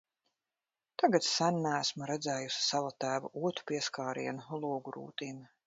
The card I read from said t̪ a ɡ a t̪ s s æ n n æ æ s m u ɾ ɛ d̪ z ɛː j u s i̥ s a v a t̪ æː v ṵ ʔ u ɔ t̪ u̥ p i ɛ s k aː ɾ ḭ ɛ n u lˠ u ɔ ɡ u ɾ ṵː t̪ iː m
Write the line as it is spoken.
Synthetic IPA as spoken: t̪ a ɡ a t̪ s s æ n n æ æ s m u ɾ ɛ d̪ z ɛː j u s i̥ s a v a t̪ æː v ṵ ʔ u ɔ t̪ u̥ p i ɛ s k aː ɾ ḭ ɛ n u lˠ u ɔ ɡ u ɾ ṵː t̪ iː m